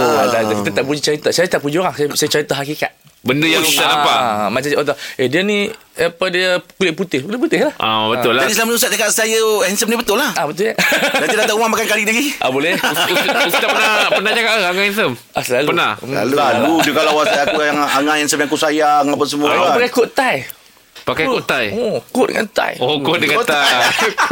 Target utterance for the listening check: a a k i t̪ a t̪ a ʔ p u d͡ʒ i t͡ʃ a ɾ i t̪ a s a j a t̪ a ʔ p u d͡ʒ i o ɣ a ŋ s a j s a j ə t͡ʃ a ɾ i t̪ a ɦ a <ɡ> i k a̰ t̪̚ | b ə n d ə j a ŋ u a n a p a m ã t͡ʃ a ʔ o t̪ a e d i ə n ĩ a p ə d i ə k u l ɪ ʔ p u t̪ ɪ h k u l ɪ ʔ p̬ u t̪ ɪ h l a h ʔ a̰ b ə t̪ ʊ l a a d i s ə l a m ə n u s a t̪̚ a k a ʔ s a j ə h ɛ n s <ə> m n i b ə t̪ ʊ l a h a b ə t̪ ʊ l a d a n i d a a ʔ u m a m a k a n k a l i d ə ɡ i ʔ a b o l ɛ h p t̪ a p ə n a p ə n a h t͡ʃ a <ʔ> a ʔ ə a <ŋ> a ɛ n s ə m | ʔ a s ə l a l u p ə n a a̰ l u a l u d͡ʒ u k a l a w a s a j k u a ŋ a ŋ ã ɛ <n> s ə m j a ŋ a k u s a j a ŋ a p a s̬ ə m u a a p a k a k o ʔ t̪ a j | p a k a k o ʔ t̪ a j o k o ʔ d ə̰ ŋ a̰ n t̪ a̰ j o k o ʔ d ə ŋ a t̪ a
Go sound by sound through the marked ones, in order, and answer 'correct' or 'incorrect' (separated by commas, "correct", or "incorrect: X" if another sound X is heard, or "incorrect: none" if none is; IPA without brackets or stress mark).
incorrect: k, correct, incorrect: k, correct, correct